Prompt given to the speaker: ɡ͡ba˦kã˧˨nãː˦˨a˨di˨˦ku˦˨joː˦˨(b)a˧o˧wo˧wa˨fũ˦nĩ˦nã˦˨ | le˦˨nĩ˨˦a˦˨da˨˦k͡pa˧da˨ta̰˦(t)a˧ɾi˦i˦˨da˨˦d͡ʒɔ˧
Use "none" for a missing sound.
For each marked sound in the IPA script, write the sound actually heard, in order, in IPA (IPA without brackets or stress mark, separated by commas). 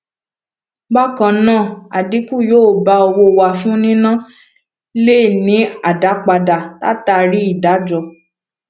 b, t